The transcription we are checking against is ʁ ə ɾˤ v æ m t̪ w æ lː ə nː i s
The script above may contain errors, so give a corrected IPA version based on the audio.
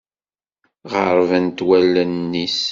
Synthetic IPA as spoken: ʁ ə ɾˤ v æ n t̪ w æ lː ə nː i s